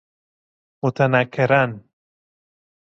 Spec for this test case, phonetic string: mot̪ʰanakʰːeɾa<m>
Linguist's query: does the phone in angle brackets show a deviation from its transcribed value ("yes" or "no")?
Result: yes